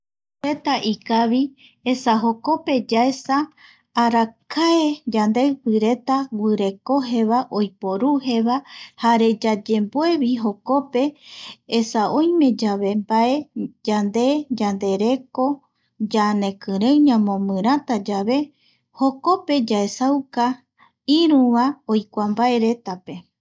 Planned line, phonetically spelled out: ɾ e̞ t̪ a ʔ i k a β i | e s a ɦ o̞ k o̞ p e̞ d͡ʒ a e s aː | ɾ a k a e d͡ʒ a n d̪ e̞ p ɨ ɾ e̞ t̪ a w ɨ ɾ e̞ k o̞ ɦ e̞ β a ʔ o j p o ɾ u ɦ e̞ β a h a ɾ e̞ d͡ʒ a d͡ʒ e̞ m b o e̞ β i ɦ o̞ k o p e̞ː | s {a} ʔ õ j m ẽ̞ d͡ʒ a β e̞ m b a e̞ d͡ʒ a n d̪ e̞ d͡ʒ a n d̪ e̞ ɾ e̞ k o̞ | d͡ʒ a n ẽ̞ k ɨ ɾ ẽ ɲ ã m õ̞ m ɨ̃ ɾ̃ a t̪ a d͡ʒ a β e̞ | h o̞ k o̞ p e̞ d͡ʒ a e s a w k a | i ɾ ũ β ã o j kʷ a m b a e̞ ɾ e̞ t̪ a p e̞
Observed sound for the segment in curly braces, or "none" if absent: a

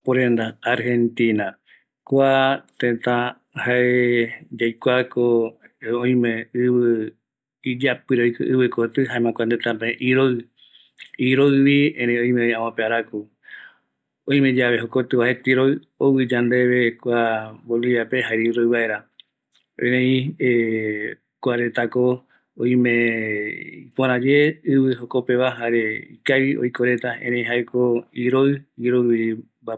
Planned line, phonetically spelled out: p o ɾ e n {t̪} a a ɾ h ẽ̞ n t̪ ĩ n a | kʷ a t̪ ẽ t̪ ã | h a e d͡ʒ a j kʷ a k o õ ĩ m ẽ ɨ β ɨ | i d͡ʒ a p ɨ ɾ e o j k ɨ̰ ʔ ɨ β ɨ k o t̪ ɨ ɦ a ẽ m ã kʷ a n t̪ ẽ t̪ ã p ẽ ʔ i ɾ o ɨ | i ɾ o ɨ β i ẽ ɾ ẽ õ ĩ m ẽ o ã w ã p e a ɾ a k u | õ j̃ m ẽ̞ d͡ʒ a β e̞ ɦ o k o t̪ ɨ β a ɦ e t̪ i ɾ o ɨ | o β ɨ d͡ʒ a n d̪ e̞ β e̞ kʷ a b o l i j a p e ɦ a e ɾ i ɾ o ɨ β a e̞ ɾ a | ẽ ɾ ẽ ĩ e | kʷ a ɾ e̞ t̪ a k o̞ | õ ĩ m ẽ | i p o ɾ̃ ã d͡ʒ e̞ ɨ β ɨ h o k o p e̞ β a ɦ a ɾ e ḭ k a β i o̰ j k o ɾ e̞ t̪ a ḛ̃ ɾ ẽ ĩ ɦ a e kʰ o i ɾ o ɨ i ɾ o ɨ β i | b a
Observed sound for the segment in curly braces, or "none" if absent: d̪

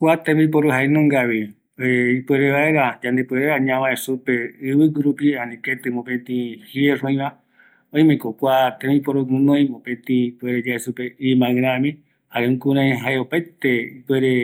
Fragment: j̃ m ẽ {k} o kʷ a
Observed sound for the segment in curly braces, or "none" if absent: k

